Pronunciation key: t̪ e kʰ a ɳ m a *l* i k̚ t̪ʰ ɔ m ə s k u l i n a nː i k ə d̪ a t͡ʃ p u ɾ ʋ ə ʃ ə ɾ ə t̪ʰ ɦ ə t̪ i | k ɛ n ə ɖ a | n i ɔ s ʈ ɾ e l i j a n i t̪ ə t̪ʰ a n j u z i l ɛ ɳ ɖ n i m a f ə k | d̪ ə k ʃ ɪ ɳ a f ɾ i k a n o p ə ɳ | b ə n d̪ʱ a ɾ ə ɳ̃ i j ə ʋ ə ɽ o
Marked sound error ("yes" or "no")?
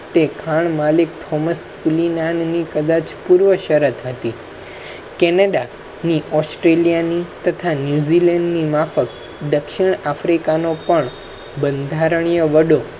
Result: no